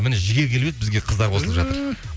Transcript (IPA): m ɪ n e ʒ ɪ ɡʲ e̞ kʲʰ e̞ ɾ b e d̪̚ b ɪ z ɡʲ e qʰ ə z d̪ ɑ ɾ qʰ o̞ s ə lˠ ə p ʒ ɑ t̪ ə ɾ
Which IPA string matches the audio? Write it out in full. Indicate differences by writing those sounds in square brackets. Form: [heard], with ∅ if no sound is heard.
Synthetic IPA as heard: m ɪ n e ʒ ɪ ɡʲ e̞ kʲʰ e̞ [l] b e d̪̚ b ɪ z ɡʲ e qʰ ə z d̪ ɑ ɾ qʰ o̞ s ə lˠ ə p ʒ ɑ t̪ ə ɾ